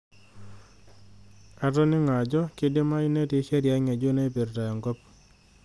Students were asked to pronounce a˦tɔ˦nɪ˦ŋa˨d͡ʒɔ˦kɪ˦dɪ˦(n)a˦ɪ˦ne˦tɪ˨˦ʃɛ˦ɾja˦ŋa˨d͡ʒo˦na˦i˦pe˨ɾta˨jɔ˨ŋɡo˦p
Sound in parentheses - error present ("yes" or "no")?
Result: yes